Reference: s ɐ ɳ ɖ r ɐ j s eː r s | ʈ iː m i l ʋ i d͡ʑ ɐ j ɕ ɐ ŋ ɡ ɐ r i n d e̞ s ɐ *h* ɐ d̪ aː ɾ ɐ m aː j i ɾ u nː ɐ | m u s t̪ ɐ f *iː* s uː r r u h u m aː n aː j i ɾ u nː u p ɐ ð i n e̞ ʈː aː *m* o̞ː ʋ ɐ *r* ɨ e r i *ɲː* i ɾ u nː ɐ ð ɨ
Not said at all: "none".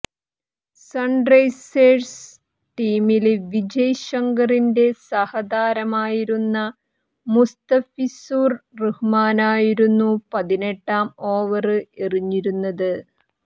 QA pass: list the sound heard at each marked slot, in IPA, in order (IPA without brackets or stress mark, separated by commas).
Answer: h, i, m, r, ɲː